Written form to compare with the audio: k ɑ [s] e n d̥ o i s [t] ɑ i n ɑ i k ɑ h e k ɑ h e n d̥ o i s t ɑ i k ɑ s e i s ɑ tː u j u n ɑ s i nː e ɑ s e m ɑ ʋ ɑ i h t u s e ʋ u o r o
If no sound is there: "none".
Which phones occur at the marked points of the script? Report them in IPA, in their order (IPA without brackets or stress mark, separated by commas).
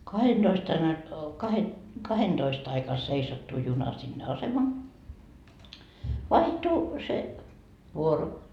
h, t